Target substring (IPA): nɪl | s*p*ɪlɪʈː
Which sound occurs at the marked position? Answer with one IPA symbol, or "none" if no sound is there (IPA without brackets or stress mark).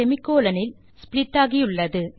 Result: p